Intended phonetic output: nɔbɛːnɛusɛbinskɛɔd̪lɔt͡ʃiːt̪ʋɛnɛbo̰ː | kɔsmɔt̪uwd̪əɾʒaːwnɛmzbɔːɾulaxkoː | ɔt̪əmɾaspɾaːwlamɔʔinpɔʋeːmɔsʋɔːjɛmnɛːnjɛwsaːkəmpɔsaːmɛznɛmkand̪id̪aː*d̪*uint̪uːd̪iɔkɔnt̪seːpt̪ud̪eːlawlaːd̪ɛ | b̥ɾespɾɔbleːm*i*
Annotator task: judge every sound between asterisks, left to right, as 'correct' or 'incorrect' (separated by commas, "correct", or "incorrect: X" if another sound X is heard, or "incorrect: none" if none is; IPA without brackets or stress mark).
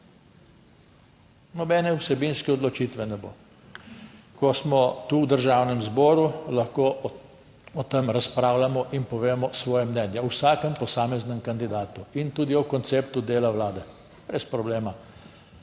incorrect: t̪, incorrect: a